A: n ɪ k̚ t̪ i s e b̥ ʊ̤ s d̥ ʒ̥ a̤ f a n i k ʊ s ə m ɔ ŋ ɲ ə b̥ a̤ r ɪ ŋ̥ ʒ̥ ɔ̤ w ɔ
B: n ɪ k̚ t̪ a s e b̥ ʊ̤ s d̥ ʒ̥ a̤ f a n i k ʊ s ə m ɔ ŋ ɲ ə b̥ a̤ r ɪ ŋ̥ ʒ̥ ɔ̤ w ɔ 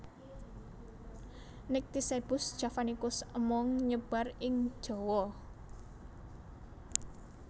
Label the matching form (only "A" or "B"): A